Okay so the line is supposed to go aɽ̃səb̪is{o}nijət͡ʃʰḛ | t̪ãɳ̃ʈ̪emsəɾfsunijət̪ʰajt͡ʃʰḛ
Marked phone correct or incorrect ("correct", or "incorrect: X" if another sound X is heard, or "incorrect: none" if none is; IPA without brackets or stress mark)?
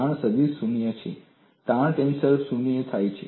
incorrect: u